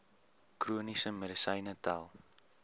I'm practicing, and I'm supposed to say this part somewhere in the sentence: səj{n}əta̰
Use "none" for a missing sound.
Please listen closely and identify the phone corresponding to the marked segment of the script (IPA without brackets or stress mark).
n